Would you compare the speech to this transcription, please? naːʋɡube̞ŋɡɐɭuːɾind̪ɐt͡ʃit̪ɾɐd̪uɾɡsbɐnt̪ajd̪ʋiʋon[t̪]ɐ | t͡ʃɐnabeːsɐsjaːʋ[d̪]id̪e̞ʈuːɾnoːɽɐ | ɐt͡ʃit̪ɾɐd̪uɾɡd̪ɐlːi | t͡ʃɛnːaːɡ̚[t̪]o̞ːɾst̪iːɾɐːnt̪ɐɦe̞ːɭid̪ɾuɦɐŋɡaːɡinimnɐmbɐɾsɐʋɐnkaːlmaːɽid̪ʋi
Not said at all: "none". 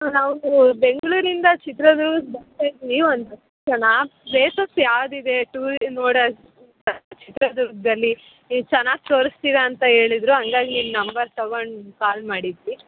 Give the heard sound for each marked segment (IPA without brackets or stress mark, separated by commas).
d̪, d̪, t̪